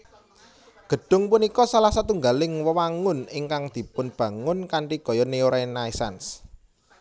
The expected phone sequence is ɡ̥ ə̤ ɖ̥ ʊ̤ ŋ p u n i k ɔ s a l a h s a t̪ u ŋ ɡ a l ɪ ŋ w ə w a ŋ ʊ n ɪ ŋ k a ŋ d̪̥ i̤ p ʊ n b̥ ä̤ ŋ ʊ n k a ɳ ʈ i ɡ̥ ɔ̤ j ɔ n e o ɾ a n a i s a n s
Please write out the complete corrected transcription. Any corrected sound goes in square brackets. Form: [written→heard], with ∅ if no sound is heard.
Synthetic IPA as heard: ɡ̥ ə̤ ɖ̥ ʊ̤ ŋ p u n i k ɔ s a l a h s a t̪ u ŋ ɡ a l ɪ ŋ w ə w a ŋ ʊ n ɪ ŋ k a ŋ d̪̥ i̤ p ʊ n b̥ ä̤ ŋ ʊ n k a ɳ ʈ i ɡ̥ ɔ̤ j ɔ n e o ɾ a n a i s a n s